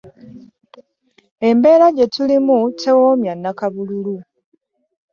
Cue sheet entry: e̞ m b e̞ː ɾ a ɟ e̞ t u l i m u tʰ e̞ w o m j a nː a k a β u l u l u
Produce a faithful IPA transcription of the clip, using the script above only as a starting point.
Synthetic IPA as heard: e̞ m b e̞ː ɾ a ɟ e̞ t u l i m u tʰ e̞ w o m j a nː a k a β u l u l u